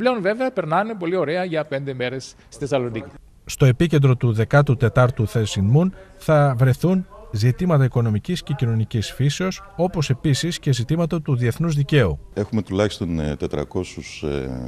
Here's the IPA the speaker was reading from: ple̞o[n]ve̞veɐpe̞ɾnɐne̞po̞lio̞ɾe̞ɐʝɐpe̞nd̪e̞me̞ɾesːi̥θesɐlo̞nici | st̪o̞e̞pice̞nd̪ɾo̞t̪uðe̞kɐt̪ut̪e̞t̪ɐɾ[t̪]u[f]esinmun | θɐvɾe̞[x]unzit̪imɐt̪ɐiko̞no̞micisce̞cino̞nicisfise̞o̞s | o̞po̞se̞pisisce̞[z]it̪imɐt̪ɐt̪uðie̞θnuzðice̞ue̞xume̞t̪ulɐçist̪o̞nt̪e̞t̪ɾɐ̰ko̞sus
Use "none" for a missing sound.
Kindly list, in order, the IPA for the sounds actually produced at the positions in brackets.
n, t̪, θ, θ, z

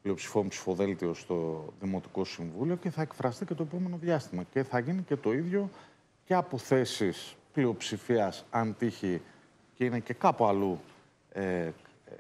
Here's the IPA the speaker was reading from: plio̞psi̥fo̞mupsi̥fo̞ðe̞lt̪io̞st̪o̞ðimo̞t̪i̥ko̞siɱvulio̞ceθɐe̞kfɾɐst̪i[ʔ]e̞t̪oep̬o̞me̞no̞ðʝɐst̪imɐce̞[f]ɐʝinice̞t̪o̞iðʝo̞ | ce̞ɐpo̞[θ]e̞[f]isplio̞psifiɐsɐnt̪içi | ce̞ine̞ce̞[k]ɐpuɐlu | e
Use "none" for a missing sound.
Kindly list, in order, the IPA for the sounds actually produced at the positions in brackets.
c, θ, θ, s, k

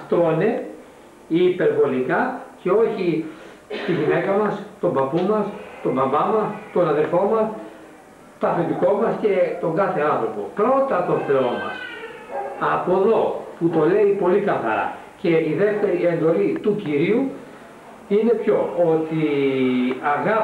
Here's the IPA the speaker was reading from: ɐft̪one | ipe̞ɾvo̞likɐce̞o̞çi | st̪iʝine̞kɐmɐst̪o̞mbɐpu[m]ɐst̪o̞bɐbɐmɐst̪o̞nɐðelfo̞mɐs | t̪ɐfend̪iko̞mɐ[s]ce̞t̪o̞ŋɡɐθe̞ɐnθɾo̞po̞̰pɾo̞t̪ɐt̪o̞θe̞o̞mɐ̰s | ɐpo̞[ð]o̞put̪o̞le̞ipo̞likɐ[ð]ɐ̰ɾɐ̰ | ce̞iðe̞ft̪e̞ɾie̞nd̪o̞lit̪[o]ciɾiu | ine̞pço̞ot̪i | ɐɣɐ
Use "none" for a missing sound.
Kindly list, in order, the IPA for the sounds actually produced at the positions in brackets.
m, s, ð, θ, u

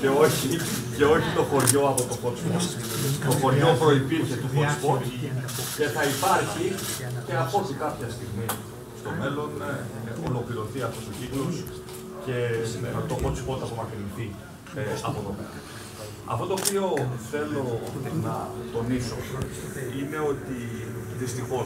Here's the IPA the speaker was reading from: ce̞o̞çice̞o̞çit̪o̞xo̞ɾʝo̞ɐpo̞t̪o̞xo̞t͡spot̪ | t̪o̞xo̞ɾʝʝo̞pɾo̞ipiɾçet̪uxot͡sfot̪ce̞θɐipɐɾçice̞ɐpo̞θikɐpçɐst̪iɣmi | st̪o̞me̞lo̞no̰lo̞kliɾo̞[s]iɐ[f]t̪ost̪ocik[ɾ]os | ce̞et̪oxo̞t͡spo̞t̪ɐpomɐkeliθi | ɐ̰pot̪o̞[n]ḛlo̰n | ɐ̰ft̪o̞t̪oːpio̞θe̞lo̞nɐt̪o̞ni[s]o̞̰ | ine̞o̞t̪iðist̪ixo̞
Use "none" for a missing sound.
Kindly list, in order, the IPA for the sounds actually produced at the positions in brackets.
θ, f, l, m, s

